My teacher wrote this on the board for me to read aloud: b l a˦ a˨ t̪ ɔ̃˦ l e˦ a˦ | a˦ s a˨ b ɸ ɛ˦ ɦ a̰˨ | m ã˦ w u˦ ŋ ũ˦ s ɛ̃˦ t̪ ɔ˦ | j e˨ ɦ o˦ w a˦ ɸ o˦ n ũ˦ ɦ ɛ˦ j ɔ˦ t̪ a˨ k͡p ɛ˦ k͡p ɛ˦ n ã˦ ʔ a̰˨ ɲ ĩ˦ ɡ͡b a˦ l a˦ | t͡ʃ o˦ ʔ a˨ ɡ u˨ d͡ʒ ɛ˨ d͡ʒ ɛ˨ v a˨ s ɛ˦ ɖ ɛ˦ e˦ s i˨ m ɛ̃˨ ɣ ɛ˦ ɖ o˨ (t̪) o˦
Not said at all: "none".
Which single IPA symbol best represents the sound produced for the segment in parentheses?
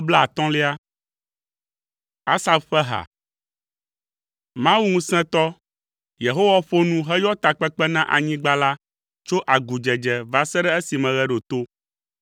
t̪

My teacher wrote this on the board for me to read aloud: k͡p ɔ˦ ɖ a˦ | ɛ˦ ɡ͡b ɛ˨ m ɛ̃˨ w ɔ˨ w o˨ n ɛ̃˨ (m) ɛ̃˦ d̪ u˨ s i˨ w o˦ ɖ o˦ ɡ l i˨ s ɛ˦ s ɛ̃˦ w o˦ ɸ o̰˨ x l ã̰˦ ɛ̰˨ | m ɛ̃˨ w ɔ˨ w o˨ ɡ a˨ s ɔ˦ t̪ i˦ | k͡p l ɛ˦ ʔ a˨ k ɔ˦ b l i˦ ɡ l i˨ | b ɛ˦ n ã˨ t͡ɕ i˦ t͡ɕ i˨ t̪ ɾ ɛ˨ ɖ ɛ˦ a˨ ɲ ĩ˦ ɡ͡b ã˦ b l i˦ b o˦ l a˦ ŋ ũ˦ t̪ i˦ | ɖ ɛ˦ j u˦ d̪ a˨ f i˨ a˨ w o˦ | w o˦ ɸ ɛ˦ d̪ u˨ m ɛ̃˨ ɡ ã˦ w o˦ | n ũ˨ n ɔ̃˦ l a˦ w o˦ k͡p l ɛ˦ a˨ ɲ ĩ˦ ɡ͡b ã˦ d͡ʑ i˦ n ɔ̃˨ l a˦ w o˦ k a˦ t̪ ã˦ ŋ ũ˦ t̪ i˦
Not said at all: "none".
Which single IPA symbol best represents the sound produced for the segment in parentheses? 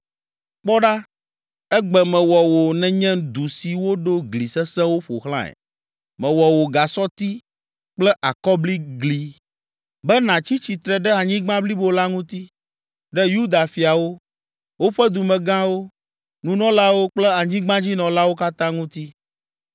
ɲ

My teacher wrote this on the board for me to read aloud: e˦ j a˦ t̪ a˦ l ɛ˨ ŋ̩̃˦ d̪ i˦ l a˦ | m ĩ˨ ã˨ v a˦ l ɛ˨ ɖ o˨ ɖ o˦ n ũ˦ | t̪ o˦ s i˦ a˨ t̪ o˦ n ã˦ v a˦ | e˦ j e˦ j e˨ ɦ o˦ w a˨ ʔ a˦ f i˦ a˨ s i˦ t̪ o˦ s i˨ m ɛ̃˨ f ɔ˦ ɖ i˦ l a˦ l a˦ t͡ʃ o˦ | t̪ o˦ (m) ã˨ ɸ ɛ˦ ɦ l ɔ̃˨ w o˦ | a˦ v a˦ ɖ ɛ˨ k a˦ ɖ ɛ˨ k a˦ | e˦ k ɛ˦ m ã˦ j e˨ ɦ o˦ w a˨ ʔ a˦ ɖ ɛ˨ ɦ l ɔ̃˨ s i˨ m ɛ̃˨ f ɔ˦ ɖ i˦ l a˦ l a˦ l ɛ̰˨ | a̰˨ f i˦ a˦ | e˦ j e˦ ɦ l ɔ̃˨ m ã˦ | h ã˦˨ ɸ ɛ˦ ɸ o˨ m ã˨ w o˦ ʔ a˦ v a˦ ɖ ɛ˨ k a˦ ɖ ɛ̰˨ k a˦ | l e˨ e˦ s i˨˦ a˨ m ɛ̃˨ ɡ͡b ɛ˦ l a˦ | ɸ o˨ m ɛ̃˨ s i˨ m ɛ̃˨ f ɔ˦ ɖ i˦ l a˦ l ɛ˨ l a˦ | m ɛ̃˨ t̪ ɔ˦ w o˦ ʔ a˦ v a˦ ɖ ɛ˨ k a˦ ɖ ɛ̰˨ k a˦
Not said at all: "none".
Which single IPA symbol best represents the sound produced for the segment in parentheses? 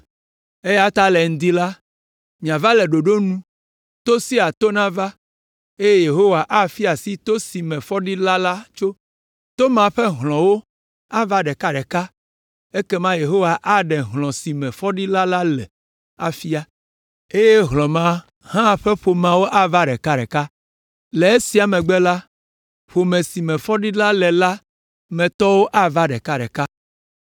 m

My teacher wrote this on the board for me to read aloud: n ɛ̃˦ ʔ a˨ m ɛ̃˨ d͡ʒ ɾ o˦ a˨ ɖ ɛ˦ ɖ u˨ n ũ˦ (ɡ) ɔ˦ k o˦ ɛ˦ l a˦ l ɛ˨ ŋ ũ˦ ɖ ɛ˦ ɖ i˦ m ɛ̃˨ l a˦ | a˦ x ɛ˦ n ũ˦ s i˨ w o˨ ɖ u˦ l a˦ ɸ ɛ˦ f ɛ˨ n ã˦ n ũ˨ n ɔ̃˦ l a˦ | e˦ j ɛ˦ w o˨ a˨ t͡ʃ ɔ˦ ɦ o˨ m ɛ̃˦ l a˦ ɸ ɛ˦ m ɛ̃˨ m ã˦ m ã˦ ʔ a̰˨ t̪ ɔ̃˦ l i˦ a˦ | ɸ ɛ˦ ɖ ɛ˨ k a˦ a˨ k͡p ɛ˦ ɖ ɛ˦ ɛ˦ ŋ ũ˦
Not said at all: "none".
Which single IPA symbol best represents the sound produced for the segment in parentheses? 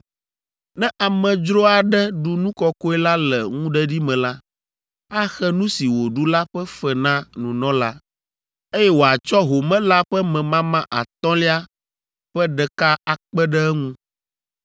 k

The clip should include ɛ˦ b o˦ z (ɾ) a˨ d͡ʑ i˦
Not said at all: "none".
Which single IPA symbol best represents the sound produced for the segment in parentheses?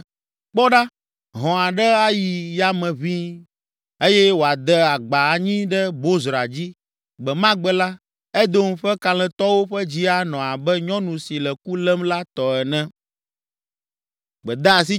ɾ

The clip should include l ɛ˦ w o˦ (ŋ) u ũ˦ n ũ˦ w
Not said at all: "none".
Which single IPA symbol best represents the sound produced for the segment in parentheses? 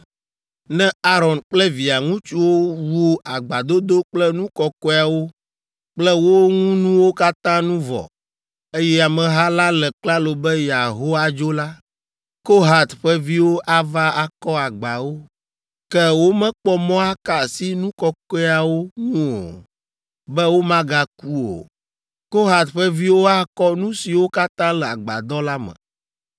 ŋ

